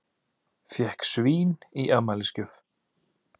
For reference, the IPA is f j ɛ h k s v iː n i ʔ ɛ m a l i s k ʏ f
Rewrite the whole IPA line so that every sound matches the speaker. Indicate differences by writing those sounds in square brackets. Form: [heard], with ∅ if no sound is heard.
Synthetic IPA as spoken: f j ɛ h k s v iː n i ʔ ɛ m a l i s [c] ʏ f